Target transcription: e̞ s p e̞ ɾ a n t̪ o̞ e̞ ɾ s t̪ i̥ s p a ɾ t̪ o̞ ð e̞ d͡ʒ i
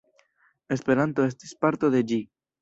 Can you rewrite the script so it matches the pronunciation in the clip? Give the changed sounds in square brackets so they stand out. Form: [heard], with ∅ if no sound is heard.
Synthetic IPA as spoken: e̞ s p e̞ ɾ a n t̪ o̞ e̞ [∅] s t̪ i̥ s p a ɾ t̪ o̞ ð e̞ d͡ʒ i